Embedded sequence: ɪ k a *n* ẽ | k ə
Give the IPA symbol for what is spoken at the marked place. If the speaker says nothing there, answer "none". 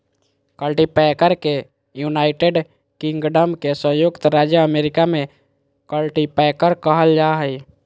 m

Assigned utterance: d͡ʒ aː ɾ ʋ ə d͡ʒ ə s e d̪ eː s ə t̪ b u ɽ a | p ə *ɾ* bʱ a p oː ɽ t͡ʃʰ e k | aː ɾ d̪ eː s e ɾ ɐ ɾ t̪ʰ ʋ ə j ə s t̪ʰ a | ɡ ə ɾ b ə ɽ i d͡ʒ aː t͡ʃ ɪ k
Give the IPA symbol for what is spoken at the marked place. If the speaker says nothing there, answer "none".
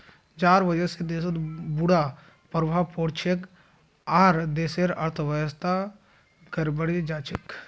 ɾ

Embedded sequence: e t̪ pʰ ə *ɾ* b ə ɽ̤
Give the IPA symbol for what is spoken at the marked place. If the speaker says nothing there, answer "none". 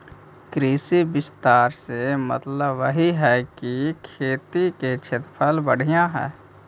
l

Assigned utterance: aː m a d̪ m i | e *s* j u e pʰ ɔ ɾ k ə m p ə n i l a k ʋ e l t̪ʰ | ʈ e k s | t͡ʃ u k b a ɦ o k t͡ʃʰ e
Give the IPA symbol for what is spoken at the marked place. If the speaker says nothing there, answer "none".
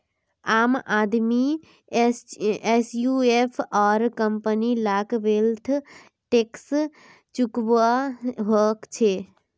s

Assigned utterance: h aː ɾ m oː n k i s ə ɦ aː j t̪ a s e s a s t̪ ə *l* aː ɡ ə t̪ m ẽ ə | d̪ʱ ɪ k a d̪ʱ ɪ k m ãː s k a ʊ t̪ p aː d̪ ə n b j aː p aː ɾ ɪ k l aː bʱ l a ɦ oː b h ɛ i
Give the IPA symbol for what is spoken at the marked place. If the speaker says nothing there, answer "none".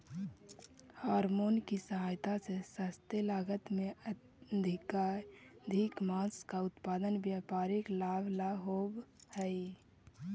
l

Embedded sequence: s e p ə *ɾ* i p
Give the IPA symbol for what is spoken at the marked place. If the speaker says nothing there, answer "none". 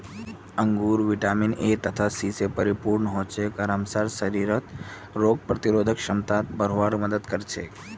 ɾ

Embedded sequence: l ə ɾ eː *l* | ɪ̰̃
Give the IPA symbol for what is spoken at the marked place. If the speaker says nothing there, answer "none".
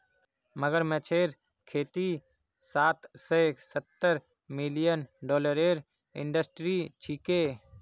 ɾ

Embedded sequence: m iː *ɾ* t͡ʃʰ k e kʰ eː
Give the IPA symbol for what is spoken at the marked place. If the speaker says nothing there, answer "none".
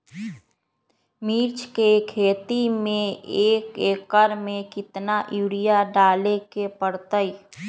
ɾ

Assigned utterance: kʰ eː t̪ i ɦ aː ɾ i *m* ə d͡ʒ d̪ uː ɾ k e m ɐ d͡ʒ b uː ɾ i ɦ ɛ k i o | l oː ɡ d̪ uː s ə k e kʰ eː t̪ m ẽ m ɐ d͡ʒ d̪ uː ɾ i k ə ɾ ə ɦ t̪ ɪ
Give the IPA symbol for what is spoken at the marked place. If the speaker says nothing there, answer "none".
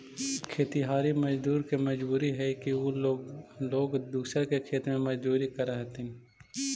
m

